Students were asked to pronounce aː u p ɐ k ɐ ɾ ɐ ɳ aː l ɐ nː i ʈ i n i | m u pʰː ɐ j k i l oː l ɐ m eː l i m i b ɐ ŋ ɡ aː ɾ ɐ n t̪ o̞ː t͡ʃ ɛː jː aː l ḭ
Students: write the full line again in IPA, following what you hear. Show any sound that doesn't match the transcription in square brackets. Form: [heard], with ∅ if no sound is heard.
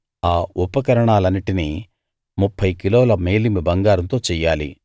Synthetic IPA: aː u p ɐ k ɐ ɾ ɐ ɳ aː l ɐ nː i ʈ i n i | m u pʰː ɐ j k i l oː l ɐ m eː l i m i b ɐ ŋ ɡ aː ɾ ɐ n t̪ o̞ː t͡ʃ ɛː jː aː l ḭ